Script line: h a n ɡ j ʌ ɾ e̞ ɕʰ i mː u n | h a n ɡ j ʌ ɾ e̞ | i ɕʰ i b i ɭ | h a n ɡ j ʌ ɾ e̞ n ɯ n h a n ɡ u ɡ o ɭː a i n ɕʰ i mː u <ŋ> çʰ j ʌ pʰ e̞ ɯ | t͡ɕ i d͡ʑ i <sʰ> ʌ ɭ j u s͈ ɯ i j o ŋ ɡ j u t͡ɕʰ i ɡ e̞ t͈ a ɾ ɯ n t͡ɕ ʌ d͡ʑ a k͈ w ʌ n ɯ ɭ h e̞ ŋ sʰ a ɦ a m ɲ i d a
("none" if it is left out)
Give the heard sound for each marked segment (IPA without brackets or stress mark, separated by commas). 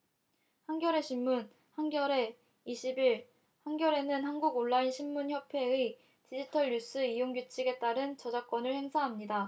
n, tʰ